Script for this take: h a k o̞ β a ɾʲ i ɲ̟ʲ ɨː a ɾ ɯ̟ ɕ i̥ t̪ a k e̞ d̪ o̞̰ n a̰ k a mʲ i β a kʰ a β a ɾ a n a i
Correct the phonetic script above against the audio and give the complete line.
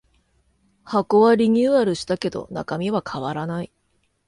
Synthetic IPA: h a k o̞ β a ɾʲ i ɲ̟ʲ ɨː a ɾ ɯ̟ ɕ i̥ t̪ a k e̞ d̪ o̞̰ n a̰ k a mʲ i β a kʰ a β a ɾ a n a i